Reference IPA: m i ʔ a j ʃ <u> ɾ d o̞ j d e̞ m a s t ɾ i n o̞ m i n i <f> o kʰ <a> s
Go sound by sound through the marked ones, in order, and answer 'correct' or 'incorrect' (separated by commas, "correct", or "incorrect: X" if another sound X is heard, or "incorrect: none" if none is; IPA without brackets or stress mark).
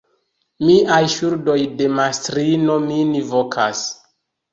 correct, incorrect: v, correct